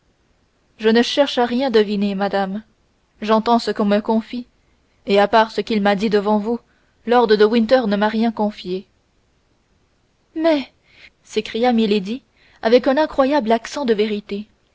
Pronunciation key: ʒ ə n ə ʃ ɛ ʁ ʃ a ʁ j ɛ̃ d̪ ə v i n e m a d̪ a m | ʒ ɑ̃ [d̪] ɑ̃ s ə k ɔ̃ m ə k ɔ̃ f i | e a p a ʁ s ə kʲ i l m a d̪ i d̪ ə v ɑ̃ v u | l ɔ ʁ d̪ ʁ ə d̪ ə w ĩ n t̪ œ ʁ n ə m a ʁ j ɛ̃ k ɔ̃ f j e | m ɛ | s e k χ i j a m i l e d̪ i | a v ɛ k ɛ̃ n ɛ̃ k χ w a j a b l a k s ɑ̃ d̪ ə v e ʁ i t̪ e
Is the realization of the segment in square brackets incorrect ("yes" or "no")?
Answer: yes